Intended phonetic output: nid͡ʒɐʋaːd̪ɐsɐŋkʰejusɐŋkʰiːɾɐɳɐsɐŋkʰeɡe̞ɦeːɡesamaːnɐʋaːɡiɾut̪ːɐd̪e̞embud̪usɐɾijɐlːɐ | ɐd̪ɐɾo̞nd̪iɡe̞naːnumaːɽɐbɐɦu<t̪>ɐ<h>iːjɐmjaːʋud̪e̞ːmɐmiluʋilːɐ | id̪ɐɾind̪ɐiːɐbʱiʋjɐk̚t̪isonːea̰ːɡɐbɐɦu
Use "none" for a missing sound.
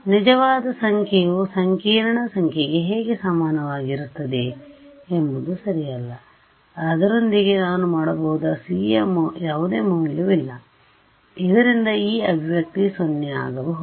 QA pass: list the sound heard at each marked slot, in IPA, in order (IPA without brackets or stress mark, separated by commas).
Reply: d̪, s